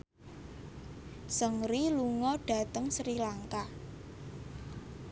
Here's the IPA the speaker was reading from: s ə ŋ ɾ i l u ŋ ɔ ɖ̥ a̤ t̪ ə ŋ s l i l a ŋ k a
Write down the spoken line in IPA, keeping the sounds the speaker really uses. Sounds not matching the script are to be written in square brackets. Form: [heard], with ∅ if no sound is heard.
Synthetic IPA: s ə ŋ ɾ i l u ŋ ɔ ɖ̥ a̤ t̪ ə ŋ s [ɾ] i l a ŋ k a